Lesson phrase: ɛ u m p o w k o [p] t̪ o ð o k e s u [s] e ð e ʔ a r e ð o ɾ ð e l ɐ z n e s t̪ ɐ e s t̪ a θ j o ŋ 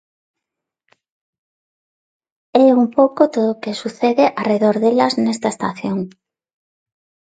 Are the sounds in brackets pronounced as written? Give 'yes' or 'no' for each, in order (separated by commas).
no, no